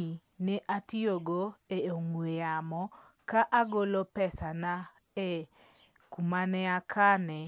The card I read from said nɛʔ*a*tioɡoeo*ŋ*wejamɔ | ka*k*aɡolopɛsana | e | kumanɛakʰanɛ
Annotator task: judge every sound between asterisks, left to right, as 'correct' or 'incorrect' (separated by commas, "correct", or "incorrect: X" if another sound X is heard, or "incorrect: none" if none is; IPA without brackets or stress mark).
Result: correct, correct, incorrect: ʔ